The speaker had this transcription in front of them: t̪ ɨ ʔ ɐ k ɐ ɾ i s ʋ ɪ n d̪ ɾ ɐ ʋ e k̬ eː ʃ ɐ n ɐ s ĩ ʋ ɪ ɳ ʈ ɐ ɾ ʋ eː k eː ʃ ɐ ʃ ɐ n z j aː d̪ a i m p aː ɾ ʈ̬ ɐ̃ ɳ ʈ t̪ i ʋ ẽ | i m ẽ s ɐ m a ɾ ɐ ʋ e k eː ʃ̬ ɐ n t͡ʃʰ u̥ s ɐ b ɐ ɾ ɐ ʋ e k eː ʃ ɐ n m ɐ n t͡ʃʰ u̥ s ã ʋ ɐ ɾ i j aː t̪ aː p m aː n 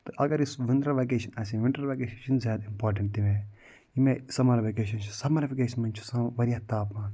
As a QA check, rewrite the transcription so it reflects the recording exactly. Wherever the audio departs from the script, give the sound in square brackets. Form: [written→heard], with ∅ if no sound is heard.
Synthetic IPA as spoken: t̪ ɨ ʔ ɐ [k→ɡ] ɐ ɾ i s ʋ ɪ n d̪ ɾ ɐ ʋ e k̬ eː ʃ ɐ n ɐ s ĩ ʋ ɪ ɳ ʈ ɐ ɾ ʋ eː k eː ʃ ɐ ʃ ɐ n z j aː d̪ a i m p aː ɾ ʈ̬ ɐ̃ ɳ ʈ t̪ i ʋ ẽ | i m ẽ s ɐ m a ɾ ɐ ʋ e k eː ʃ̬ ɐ n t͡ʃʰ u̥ s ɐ [b→m] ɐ ɾ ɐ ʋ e k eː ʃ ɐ n m ɐ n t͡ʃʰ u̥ s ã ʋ ɐ ɾ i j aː t̪ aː p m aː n